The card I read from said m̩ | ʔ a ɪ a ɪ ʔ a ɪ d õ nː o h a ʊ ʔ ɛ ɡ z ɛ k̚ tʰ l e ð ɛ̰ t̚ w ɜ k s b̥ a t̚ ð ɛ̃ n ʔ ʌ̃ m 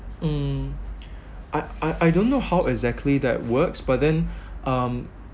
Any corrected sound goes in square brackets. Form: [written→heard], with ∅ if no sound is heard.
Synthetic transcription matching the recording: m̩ | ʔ a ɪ a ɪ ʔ a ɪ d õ nː o h a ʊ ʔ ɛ ɡ z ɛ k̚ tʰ l [e→i] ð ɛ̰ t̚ w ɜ k s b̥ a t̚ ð ɛ̃ n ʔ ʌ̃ m